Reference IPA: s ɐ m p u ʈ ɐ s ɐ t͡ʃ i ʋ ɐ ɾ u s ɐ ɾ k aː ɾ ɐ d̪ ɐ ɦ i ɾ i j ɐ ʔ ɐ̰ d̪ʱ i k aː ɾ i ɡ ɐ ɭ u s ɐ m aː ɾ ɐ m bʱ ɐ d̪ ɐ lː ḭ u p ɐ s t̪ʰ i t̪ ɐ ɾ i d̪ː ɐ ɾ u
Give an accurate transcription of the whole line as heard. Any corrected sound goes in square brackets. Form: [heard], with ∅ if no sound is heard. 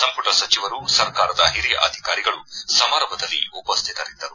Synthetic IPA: s ɐ m p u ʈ ɐ s ɐ t͡ʃ i ʋ ɐ ɾ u s ɐ ɾ k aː ɾ ɐ d̪ ɐ ɦ i ɾ i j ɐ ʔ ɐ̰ d̪ʱ i k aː ɾ i ɡ ɐ ɭ u s ɐ m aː ɾ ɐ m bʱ ɐ d̪ ɐ lː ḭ u p ɐ s t̪ʰ i t̪ ɐ ɾ i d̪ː ɐ ɾ u